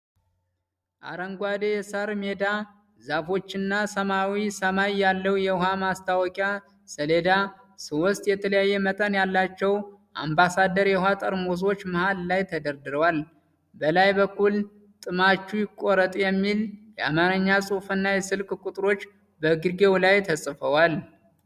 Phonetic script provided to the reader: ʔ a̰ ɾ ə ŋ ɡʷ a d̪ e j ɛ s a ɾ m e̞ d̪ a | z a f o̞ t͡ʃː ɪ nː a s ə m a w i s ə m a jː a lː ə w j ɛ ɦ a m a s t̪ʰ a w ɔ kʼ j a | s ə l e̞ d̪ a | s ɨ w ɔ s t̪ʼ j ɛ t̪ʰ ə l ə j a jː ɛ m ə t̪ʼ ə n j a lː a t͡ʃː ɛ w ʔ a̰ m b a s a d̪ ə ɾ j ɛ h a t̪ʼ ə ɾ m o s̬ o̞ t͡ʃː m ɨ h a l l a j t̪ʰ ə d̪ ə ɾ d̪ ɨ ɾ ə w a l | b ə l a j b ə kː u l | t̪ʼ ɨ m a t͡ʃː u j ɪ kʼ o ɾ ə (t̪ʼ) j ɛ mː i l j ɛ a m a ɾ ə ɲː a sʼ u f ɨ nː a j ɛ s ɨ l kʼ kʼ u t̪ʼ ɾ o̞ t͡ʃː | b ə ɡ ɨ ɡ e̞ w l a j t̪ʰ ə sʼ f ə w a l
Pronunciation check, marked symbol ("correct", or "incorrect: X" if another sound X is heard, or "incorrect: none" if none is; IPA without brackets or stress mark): correct